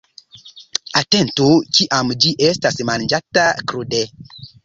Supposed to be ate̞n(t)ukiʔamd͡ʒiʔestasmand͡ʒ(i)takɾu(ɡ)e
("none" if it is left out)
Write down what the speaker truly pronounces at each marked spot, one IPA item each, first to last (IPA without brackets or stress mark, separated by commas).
t, a, d